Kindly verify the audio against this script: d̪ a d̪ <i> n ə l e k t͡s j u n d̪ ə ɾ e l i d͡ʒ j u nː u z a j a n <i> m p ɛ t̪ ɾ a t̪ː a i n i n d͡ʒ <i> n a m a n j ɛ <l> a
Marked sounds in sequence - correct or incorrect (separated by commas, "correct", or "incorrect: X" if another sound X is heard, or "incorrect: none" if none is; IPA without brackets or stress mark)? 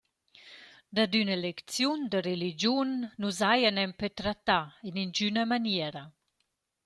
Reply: incorrect: y, incorrect: ɛ, incorrect: y, incorrect: ɾ